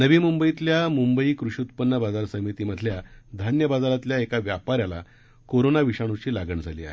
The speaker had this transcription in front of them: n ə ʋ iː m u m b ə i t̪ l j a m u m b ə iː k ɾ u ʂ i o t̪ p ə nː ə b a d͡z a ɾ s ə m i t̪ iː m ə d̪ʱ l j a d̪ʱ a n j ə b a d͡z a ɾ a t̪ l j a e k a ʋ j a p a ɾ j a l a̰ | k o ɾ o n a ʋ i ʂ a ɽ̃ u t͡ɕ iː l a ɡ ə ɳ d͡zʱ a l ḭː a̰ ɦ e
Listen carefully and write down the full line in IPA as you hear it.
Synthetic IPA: n ə ʋ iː m u m b ə i t̪ l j a m u m b ə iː k ɾ u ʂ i u t̪ p ə nː ə b a d͡z a ɾ s ə m i t̪ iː m ə d̪ʱ l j a d̪ʱ a n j ə b a d͡z a ɾ a t̪ l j a e k a ʋ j a p a ɾ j a l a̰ | k o ɾ o n a ʋ i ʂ a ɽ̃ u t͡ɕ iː l a ɡ ə ɳ d͡zʱ a l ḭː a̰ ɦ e